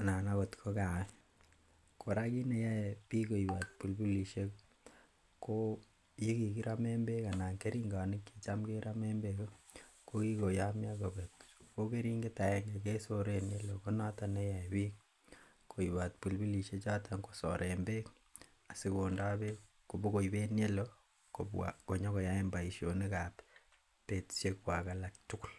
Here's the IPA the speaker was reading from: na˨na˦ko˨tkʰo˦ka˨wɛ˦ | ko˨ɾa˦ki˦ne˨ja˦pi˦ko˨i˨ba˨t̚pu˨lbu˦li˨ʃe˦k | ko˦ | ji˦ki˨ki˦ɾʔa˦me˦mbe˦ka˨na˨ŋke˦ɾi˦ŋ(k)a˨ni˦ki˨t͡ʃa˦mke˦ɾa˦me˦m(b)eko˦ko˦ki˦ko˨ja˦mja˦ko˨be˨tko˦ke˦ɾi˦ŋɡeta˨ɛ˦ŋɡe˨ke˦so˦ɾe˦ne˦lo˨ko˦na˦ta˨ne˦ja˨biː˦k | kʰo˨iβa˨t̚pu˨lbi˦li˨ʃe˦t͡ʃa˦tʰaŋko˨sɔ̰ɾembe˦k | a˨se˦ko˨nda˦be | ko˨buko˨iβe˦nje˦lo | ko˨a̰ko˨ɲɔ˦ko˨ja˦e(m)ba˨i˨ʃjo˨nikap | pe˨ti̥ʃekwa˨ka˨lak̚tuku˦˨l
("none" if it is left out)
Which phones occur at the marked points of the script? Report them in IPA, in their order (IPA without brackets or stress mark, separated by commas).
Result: ɡ, b, m